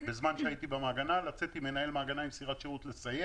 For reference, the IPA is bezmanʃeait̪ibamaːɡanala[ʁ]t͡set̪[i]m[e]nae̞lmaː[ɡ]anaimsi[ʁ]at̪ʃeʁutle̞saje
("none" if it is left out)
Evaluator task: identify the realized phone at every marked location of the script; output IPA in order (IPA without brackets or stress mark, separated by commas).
none, i, e, ɡ, ʁ